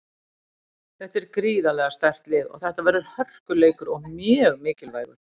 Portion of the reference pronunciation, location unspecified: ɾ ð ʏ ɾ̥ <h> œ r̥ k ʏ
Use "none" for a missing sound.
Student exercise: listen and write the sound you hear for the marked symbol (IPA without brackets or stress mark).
h